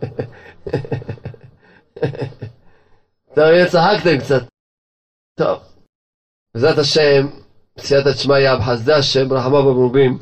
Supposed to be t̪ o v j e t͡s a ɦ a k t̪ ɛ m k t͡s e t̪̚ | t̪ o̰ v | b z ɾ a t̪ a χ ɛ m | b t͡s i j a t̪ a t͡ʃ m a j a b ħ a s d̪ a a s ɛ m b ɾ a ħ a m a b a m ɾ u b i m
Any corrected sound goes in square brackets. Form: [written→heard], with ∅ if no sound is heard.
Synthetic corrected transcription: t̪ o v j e t͡s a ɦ a k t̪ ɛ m k t͡s [e→a] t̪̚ | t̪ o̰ v | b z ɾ a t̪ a [χ→ʃ] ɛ m | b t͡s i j a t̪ a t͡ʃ m a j a b ħ a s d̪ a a [s→ʃ] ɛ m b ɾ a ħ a m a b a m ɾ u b i m